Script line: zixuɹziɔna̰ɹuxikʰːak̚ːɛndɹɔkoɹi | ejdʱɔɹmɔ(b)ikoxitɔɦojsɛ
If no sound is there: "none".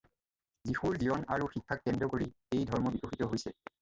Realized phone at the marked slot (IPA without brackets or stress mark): b